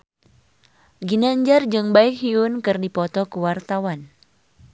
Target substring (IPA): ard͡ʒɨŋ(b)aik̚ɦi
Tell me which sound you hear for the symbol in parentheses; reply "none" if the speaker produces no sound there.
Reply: b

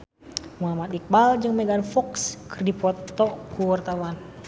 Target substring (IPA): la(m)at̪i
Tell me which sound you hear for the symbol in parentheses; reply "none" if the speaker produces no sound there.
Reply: m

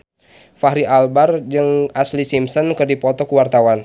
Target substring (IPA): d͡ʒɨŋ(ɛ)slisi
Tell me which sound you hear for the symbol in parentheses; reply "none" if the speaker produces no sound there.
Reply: a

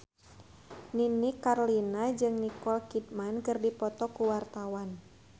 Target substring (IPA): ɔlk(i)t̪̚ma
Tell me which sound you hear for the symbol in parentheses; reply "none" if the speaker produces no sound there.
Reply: i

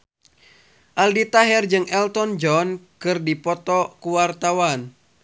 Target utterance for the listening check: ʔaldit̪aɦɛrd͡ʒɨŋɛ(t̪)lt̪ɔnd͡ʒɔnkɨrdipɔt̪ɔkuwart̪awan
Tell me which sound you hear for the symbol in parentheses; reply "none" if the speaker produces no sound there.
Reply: none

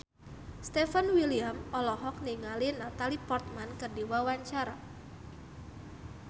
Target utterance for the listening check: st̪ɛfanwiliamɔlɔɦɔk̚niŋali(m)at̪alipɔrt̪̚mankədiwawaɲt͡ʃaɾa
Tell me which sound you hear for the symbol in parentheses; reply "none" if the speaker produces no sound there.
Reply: n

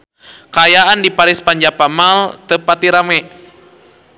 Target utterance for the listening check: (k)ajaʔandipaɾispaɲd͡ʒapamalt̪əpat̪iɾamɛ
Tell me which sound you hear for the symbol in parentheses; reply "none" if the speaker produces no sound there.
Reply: k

